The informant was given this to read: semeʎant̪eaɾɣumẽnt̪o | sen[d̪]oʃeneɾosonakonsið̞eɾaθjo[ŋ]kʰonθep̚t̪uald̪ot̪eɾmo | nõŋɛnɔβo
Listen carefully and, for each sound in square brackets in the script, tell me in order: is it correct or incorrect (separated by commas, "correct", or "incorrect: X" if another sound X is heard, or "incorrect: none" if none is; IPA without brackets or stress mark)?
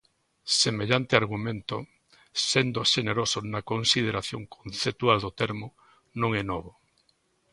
correct, correct